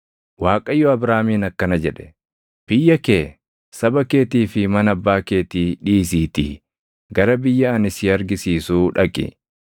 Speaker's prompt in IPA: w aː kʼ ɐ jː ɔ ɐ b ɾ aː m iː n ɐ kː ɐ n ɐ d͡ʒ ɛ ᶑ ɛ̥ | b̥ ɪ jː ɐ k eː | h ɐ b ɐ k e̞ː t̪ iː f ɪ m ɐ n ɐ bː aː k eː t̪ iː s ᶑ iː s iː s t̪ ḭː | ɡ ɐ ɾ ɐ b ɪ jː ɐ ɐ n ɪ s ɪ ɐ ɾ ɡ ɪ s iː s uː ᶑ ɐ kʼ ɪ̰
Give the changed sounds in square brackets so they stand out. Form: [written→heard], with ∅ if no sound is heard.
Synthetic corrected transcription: w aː kʼ ɐ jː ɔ ɐ b ɾ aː m iː n ɐ kː ɐ n ɐ d͡ʒ ɛ ᶑ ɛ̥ | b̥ ɪ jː ɐ k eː | [h→s] ɐ b ɐ k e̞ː t̪ iː f ɪ m ɐ n ɐ bː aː k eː t̪ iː [s→∅] ᶑ iː s iː [s→∅] t̪ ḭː | ɡ ɐ ɾ ɐ b ɪ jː ɐ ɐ n ɪ s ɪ ɐ ɾ ɡ ɪ s iː s uː ᶑ ɐ kʼ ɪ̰